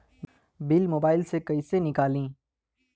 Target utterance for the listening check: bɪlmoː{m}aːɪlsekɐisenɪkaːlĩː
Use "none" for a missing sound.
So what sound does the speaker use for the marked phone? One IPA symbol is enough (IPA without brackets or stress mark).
b